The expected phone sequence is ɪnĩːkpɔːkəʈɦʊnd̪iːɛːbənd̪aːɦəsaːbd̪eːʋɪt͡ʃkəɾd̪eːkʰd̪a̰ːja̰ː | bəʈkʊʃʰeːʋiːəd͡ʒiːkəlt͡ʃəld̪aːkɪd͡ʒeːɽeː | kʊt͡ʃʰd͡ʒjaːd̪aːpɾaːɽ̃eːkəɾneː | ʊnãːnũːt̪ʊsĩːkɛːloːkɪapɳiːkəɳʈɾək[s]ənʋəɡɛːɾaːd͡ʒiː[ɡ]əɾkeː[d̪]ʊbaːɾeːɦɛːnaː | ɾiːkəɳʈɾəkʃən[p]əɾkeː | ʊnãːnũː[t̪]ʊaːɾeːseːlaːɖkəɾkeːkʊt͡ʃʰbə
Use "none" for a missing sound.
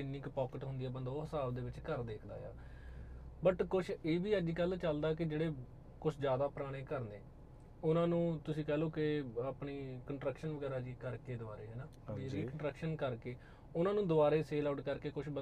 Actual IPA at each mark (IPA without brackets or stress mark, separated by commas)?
ʃ, k, d̪, k, d̪